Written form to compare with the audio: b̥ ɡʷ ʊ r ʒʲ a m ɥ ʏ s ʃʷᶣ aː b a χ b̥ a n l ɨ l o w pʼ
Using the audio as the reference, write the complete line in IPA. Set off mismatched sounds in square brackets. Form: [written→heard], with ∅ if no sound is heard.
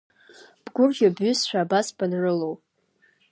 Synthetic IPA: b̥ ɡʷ ʊ r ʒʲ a [m→b] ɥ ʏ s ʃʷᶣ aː b a [χ→s] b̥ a n [l→r] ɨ l o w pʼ